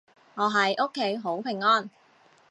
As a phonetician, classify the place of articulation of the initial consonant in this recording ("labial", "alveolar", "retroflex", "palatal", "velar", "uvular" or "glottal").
velar